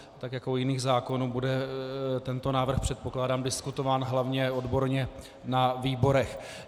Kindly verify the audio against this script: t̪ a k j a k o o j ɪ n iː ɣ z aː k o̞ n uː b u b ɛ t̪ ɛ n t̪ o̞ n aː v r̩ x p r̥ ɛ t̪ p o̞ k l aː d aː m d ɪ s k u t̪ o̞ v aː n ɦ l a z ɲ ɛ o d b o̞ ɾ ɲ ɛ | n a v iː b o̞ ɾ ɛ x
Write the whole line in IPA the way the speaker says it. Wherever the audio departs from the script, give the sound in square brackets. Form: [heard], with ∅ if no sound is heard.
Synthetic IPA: t̪ a k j a k o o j ɪ n iː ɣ z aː k o̞ n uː b u [d] ɛ t̪ ɛ n t̪ o̞ n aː v r̩ x p r̥ ɛ t̪ p o̞ k l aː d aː m d ɪ s k u t̪ o̞ v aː n ɦ l a [v] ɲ ɛ o d b o̞ ɾ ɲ ɛ | n a v iː b o̞ ɾ ɛ x